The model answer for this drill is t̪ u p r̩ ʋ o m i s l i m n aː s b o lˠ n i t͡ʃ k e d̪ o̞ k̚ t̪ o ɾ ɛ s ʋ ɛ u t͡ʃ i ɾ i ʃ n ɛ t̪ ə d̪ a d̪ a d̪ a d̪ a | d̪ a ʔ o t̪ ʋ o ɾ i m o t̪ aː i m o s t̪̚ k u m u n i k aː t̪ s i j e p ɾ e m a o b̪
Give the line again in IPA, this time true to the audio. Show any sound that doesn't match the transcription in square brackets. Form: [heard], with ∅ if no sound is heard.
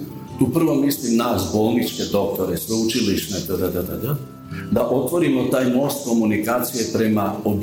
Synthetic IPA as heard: t̪ u p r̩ ʋ o m i s l i m n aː s b o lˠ n i t͡ʃ k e d̪ o̞ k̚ t̪ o ɾ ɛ s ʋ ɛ u t͡ʃ i [l] i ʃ n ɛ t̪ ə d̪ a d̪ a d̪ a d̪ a | d̪ a ʔ o t̪ ʋ o ɾ i m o t̪ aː [j] m o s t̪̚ k [o] m u n i k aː t̪ s i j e p ɾ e m a o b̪